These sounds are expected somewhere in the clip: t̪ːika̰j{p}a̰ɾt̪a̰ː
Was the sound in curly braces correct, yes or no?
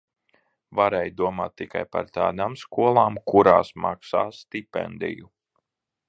yes